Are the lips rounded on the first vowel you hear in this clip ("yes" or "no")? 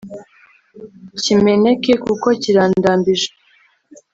no